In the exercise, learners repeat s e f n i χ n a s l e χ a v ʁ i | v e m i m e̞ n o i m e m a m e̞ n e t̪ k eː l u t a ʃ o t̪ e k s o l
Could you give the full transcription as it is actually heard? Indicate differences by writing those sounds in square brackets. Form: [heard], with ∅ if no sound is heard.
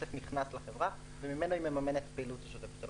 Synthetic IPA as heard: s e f n i χ n a s l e χ [e] v ʁ [a] | v e m i m e̞ n o i m e m a m e̞ n e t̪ [p] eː l u t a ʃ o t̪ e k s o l